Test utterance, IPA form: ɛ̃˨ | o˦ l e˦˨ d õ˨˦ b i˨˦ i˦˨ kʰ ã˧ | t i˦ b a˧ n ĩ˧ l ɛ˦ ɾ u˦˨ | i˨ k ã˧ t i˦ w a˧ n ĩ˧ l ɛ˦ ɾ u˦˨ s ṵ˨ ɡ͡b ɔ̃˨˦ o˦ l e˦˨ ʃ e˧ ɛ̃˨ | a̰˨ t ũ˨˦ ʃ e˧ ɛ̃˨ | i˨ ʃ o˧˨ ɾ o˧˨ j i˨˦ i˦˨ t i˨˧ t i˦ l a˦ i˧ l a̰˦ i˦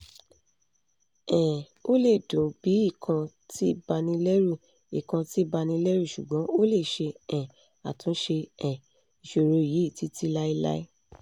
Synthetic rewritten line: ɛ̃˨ | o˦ l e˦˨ d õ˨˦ b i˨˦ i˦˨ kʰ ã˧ | t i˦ b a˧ n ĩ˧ l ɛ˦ ɾ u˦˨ | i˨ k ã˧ t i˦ b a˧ n ĩ˧ l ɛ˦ ɾ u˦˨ ʃ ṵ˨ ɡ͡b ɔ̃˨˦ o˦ l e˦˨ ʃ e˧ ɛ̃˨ | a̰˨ t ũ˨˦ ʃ e˧ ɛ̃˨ | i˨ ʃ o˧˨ ɾ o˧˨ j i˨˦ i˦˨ t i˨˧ t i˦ l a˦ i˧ l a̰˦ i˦